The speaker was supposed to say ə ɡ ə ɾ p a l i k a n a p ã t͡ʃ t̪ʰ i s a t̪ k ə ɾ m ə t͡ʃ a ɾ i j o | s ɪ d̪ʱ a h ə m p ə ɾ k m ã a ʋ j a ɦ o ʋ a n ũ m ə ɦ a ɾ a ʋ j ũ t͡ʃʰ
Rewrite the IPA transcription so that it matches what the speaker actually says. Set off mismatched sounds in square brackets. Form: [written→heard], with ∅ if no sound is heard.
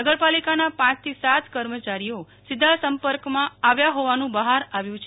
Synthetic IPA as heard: ə ɡ ə ɾ p a l i k a n a p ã t͡ʃ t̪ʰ i s a t̪ k ə ɾ m ə t͡ʃ a ɾ i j o | s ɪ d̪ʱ a [h→s] ə m p ə ɾ k m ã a ʋ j a ɦ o ʋ a n ũ [m→b] ə ɦ a ɾ a ʋ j ũ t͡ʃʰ